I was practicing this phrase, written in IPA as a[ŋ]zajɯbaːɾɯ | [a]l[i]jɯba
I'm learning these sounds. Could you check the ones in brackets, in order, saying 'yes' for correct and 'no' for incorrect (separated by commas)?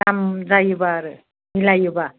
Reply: no, no, no